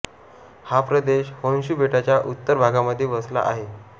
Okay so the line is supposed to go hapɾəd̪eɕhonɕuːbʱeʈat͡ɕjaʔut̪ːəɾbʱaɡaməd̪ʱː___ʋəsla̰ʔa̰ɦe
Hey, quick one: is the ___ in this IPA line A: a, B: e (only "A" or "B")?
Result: B